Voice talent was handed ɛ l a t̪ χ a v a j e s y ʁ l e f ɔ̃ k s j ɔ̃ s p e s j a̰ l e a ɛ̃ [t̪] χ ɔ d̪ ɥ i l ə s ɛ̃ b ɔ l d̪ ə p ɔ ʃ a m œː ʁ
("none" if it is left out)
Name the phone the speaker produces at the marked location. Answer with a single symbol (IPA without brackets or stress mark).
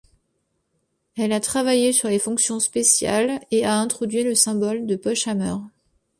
t̪